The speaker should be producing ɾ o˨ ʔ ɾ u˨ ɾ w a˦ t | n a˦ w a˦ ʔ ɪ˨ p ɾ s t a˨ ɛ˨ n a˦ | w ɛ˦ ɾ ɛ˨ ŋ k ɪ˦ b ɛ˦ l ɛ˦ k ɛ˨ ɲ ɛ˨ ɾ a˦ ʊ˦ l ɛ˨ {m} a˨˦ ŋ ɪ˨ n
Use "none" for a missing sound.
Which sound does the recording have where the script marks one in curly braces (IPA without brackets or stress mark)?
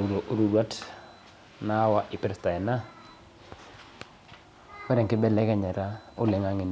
ŋ